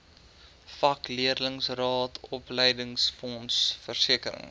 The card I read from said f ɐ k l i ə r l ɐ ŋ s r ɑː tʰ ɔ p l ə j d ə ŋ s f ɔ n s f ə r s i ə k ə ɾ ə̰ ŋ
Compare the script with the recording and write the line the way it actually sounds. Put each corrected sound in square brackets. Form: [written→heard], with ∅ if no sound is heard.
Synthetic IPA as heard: f ɐ k l i ə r l [ɐ→ə] ŋ s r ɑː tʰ ɔ p l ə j d ə ŋ s f ɔ n s f ə r s i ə k ə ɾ ə̰ ŋ